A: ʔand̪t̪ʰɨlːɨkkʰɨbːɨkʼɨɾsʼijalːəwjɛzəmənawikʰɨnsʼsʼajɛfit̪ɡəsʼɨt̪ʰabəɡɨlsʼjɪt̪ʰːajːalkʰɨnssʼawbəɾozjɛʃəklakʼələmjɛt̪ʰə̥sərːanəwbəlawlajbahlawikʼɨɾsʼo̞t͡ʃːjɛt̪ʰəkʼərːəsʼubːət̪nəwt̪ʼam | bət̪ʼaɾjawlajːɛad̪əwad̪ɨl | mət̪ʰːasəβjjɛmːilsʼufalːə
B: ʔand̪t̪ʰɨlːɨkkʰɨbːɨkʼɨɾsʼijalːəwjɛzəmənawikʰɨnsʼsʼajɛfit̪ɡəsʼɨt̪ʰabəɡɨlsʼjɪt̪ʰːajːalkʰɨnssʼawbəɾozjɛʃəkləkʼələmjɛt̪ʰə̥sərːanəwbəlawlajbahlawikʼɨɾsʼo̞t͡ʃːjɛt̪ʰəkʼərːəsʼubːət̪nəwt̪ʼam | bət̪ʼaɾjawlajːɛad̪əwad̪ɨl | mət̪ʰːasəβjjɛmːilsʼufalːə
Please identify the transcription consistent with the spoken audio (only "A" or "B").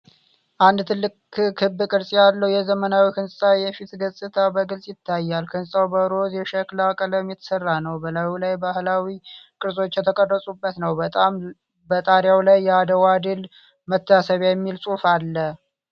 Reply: A